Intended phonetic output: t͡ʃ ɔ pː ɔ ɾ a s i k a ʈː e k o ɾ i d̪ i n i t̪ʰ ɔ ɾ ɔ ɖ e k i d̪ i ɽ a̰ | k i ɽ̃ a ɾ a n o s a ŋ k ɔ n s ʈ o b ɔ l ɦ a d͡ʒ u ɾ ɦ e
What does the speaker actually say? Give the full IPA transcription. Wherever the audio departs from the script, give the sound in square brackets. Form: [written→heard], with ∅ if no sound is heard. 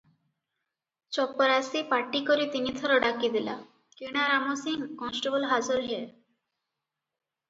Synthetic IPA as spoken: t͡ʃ ɔ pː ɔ ɾ a s i [k→p] a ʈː [e→i] k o ɾ i [d̪→t̪] i n i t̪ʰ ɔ ɾ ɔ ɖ [e→a] k i d̪ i [ɽ→l] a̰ | k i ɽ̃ a ɾ a [n→m] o s [a→i] ŋ k ɔ n s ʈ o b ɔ l ɦ a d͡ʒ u ɾ ɦ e

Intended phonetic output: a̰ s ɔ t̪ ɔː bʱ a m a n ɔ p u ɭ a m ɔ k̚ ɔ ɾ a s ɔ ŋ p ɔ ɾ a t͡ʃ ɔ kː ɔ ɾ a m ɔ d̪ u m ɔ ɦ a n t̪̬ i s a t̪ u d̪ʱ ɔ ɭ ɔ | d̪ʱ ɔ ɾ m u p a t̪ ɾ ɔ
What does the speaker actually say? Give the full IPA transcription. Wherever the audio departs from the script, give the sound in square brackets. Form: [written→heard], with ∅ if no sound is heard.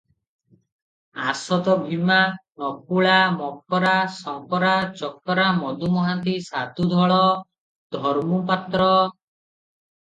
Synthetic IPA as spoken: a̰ s ɔ t̪ [ɔː→ɔ] bʱ [a→i] m a n ɔ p u ɭ a m ɔ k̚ ɔ ɾ a s ɔ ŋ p ɔ ɾ a t͡ʃ ɔ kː ɔ ɾ a m ɔ d̪ u m ɔ ɦ a n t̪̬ i s a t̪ u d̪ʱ ɔ ɭ ɔ | d̪ʱ ɔ ɾ m u p a t̪ ɾ ɔ

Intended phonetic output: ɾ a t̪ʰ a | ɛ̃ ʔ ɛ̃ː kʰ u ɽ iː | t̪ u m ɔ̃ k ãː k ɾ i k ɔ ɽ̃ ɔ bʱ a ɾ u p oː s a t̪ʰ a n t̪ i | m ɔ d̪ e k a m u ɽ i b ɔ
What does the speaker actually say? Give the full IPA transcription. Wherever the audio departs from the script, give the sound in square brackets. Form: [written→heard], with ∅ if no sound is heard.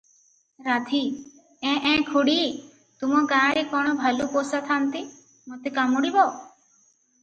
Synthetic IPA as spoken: ɾ a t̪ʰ [a→i] | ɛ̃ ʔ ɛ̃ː kʰ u ɽ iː | t̪ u m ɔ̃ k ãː [k→∅] ɾ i k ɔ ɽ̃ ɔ bʱ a [ɾ→l] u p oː s a t̪ʰ a n t̪ i | m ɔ [d̪→t̪] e k a m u ɽ i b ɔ

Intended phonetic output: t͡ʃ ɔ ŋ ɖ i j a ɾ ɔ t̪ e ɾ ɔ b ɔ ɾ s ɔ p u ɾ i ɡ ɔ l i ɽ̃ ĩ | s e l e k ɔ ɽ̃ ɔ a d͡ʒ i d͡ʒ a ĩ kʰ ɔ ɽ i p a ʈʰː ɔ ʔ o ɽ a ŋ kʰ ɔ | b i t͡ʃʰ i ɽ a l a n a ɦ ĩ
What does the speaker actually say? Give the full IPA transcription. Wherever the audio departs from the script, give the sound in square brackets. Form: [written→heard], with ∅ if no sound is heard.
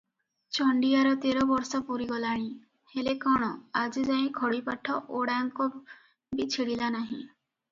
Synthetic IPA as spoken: t͡ʃ ɔ [ŋ→ɳ] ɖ i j a ɾ ɔ t̪ e ɾ ɔ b ɔ ɾ s ɔ p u ɾ i ɡ ɔ l [i→a] ɽ̃ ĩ | [s→h] e l e k ɔ ɽ̃ ɔ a d͡ʒ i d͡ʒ a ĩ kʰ ɔ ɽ i p a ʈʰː ɔ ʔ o ɽ a ŋ [kʰ→k] ɔ | b i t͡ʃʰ i ɽ [a→i] l a n a ɦ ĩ

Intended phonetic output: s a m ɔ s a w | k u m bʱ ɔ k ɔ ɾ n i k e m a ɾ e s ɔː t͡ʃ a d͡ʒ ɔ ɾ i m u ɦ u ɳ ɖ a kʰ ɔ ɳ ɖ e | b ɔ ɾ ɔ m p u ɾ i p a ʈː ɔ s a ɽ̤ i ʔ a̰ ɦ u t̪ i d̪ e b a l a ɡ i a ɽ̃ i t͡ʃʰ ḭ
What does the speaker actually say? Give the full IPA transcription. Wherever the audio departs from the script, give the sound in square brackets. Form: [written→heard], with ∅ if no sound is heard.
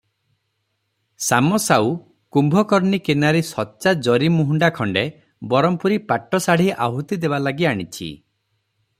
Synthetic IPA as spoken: s a m ɔ s a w | k u m bʱ ɔ k ɔ ɾ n i k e [m→n] a ɾ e s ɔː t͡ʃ a d͡ʒ ɔ ɾ i m u ɦ u ɳ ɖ a kʰ ɔ ɳ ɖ e | b ɔ ɾ ɔ m p u ɾ i p a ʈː ɔ s a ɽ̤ i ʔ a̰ ɦ u t̪ i d̪ e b a l a ɡ i a ɽ̃ i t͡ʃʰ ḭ

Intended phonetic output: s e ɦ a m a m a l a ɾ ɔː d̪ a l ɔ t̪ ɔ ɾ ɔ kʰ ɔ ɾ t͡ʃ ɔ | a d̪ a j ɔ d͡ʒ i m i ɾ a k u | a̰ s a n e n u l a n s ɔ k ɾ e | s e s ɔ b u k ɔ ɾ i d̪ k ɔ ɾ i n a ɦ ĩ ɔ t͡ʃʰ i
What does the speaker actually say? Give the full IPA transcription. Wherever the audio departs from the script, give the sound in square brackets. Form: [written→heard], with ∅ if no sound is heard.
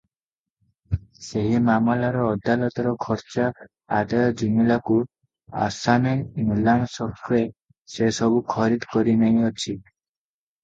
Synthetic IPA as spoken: s e ɦ [a→i] m a m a l a ɾ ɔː d̪ a l ɔ t̪ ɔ ɾ ɔ kʰ ɔ ɾ t͡ʃ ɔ | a d̪ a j ɔ d͡ʒ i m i [ɾ→l] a k u | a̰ s a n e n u l a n s ɔ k ɾ e | s e s ɔ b u [k→kʰ] ɔ ɾ i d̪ k ɔ ɾ i n a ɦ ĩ ɔ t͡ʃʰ i

